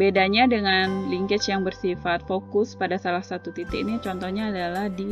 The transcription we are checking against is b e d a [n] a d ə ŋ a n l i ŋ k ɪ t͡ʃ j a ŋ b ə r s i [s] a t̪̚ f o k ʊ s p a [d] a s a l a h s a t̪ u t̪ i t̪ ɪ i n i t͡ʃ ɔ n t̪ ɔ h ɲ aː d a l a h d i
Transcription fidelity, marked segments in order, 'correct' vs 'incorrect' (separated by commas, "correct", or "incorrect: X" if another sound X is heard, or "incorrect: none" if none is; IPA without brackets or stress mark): incorrect: ɲ, incorrect: f, correct